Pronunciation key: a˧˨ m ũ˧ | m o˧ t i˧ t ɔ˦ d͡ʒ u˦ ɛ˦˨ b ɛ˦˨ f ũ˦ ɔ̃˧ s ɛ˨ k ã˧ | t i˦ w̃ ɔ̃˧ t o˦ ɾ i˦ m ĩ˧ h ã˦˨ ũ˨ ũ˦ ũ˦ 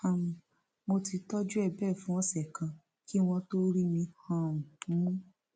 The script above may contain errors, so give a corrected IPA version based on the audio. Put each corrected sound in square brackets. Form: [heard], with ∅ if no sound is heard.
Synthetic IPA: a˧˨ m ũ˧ | m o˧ t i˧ t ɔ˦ d͡ʒ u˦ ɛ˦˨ b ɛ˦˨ f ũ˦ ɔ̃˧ s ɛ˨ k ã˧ | [k] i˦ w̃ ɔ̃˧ t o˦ ɾ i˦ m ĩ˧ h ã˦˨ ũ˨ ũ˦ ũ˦